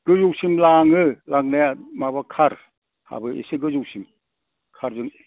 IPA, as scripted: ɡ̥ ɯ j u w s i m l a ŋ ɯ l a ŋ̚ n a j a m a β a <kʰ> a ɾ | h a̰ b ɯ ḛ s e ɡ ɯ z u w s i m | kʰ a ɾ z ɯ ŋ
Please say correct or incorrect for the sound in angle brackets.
correct